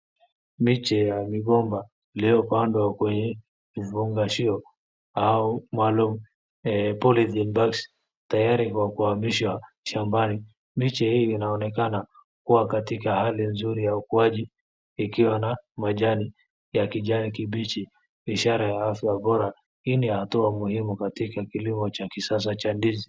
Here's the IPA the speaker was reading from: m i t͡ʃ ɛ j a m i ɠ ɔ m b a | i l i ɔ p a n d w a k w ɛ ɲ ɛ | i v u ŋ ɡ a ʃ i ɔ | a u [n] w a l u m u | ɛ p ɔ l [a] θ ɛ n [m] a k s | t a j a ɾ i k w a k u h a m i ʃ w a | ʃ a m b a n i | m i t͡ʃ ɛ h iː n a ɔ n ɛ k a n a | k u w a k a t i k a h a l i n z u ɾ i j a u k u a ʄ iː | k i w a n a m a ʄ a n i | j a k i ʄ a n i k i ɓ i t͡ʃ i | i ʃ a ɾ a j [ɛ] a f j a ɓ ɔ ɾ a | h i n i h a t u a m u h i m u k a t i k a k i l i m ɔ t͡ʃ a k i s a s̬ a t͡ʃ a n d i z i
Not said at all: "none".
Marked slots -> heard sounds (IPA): m, i, b, a

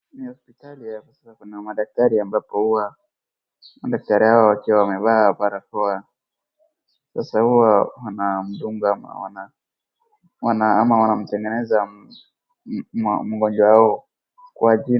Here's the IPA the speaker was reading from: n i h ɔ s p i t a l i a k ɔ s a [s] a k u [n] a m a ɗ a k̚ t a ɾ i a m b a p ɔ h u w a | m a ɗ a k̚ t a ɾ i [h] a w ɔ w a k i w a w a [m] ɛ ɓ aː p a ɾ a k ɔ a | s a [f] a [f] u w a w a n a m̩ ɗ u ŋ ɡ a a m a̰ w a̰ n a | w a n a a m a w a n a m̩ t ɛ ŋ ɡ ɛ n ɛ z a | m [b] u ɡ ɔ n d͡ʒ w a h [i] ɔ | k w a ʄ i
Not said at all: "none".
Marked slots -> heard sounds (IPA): s, n, h, m, s, h, m, a

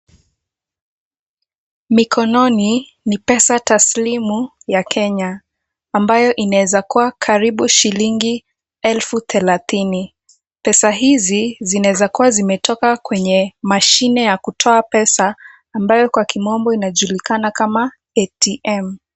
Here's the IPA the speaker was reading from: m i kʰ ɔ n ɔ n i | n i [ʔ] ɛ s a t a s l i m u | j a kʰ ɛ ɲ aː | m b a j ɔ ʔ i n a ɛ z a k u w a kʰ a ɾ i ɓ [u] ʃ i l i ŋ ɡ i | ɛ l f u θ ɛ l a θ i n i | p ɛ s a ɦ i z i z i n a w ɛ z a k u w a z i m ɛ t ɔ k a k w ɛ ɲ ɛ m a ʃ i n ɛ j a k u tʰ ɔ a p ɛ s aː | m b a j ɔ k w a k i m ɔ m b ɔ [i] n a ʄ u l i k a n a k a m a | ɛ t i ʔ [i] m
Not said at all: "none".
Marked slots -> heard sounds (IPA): p, u, i, ɛ

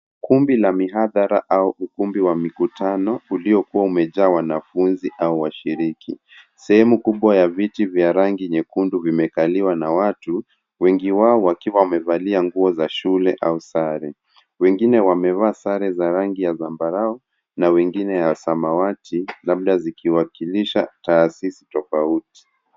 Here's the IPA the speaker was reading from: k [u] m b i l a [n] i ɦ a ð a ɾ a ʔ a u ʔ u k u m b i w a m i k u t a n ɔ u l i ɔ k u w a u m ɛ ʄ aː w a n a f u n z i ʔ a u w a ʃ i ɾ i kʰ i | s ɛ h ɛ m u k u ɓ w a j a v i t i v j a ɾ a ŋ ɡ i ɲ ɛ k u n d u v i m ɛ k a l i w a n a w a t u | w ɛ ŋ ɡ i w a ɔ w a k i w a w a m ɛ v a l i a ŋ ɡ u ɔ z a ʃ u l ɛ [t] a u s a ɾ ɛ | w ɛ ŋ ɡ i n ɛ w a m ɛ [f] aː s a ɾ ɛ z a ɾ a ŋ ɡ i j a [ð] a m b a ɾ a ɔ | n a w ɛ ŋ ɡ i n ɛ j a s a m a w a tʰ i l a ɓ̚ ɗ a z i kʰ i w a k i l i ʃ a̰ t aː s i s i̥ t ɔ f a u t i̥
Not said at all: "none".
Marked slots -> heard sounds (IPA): u, m, ʔ, v, z

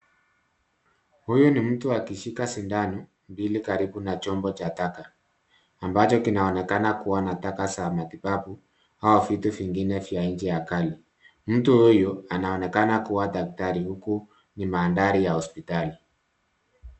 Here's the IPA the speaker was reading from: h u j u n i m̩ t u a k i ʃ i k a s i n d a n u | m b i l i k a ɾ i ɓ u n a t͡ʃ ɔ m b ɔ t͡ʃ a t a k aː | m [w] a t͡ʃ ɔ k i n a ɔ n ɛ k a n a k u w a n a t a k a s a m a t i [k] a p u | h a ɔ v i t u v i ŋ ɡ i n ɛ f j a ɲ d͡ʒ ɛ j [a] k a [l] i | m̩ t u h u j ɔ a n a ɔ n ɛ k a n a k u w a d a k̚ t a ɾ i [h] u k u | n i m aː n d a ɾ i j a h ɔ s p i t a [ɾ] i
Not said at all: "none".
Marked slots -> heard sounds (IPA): b, p, a, l, h, l

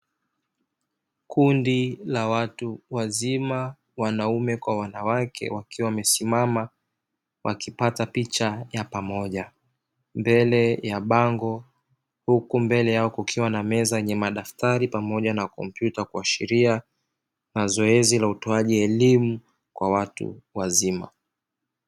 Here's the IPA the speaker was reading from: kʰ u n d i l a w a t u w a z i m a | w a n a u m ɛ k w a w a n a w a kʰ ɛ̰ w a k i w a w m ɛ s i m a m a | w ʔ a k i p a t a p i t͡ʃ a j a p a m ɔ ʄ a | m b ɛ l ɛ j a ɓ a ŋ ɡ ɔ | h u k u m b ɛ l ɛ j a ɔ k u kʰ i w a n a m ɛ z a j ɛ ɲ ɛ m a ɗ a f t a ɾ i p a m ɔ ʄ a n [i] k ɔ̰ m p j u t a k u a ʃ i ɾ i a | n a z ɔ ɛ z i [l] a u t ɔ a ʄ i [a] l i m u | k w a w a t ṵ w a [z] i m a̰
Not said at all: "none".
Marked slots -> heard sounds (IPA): a, l, ɛ, z

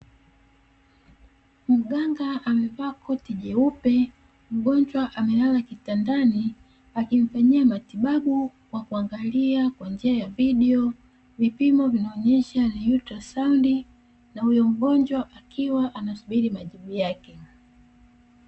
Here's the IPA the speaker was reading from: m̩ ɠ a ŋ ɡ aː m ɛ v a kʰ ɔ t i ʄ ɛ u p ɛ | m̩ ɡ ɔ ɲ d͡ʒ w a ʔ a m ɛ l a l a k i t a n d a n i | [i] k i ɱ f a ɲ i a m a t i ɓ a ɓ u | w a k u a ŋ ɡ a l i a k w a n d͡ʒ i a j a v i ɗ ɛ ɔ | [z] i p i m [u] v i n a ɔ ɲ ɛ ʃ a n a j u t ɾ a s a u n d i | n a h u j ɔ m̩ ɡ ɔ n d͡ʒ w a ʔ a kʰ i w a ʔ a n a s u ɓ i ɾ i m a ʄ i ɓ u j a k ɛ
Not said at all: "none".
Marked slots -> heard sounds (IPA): a, v, ɔ

